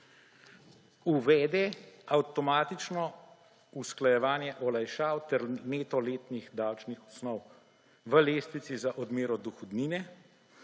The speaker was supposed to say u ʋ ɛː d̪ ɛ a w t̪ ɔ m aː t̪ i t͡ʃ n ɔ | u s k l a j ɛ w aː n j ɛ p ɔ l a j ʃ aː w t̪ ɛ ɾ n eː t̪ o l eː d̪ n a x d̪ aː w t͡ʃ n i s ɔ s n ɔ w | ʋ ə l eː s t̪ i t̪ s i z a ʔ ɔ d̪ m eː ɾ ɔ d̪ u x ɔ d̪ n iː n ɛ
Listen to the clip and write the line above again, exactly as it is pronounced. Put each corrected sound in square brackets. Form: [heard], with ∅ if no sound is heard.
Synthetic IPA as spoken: u ʋ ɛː d̪ ɛ a w t̪ ɔ m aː t̪ i t͡ʃ n ɔ | u s k l a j ɛ [ʋ] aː n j ɛ [ʔ] ɔ l a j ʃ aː w t̪ ɛ ɾ n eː t̪ [ɔ] l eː [t̪] n [i] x d̪ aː w t͡ʃ n i [x] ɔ s n ɔ w | ʋ ə l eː s t̪ i t̪ s i z a ʔ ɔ d̪ m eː ɾ ɔ d̪ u x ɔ d̪ n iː n ɛ